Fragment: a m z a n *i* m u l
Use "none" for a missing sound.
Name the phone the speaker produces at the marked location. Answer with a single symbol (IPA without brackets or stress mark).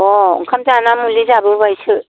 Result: a